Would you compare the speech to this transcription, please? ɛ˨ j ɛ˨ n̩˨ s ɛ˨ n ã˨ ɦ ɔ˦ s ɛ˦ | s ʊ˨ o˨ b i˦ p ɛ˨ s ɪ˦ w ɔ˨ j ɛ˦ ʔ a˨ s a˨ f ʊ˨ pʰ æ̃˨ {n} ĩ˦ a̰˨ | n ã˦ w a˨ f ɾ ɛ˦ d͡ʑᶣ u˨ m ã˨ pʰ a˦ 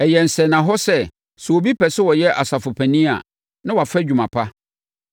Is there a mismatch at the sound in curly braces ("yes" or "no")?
no